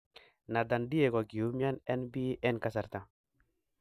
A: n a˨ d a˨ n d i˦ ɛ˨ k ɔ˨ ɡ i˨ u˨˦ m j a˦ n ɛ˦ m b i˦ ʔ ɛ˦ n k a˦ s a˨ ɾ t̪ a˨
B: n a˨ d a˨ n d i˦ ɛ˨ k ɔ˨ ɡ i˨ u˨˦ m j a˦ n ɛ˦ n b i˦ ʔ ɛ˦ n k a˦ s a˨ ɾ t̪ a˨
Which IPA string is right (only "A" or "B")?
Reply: B